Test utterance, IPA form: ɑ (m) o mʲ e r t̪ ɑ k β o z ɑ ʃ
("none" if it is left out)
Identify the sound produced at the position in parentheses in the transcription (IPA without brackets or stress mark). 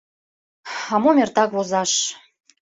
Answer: m